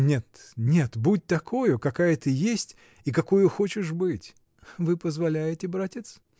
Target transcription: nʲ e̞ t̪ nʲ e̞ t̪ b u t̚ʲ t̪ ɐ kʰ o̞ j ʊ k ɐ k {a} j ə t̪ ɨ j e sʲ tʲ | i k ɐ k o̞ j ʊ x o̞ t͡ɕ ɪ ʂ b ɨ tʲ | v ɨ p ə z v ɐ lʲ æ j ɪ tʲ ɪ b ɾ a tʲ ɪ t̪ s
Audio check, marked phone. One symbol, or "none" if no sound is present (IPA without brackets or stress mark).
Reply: a